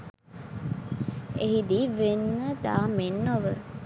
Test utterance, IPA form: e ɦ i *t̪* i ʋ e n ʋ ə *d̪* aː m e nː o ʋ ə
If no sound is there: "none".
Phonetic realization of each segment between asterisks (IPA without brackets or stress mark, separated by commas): d̪, d̪